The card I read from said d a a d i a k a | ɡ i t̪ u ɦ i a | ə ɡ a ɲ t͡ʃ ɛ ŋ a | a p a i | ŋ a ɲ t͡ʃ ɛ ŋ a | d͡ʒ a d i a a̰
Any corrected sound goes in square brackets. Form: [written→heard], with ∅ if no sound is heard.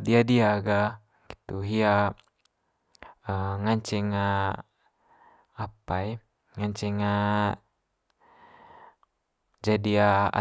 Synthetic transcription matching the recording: d [a→i] a d i a [k→ɡ] a | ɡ i t̪ u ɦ i a | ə [ɡ→ŋ] a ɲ t͡ʃ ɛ ŋ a | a p a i | ŋ a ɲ t͡ʃ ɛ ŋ a | d͡ʒ a d i a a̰